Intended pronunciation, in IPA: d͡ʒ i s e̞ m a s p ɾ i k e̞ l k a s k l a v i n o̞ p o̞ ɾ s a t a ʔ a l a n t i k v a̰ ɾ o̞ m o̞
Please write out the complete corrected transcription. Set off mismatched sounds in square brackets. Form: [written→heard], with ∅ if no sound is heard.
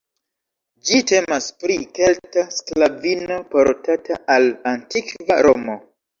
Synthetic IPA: d͡ʒ i [s→t] e̞ m a s p ɾ i k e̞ l [k→t] a s k l a v i n o̞ p o̞ ɾ [s→t] a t a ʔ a l a n t i k v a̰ ɾ o̞ m o̞